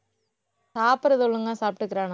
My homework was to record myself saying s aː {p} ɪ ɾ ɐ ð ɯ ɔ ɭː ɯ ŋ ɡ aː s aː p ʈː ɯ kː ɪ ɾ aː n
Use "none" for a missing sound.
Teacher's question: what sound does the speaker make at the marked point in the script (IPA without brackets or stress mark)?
p